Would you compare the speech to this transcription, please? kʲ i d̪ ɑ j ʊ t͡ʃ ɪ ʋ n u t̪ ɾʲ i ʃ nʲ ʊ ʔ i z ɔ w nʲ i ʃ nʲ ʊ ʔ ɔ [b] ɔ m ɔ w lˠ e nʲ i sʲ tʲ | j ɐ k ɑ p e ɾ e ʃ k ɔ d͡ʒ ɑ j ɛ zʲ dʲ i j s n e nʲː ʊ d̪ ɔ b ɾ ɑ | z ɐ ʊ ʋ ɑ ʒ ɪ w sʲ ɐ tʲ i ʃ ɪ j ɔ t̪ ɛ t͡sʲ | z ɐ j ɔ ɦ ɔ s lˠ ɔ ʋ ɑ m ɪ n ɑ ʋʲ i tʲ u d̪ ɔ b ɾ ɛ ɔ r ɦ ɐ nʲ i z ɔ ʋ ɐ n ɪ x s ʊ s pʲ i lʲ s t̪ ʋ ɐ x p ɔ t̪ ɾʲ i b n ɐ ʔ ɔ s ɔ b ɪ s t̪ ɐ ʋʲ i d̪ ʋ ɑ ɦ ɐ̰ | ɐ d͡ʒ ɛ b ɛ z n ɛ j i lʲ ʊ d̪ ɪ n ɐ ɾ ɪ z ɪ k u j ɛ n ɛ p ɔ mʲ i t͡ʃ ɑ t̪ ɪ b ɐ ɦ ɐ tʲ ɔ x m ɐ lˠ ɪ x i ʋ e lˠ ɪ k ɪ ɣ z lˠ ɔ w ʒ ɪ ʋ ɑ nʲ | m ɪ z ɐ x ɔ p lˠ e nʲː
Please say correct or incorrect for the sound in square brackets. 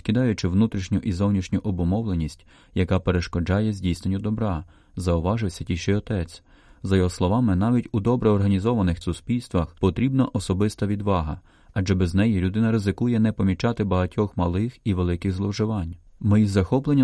correct